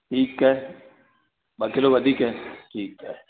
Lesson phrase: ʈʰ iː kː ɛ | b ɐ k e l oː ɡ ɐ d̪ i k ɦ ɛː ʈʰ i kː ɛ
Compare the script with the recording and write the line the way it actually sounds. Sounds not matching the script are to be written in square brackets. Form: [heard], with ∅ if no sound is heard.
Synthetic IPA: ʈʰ iː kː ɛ | b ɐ k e l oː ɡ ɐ d̪ i k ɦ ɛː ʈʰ [iː] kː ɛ